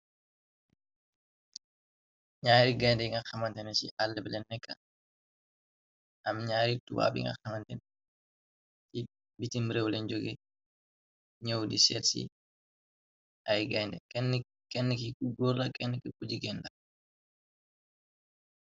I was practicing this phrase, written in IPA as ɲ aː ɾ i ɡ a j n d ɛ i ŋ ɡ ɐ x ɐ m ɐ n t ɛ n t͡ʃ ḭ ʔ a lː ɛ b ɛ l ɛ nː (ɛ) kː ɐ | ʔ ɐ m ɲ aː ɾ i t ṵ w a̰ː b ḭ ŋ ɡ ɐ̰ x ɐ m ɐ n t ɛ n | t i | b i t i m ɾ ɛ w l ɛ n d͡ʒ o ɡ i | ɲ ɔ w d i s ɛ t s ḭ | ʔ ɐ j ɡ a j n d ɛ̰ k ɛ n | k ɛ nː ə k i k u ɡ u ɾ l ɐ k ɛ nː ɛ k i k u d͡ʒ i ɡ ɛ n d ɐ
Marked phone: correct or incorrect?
correct